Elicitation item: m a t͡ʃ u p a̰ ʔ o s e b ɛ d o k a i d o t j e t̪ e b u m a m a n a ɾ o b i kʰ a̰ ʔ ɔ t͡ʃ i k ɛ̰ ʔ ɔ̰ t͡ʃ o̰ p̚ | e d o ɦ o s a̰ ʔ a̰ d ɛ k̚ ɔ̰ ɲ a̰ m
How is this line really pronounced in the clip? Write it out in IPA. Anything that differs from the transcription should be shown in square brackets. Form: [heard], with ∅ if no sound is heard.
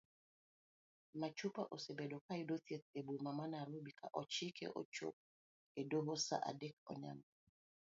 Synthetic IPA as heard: m a t͡ʃ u p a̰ ʔ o s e b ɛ d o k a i d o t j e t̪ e b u m a m a n a ɾ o b i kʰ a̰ ʔ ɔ t͡ʃ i k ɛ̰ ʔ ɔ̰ t͡ʃ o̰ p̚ | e d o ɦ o s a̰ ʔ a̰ d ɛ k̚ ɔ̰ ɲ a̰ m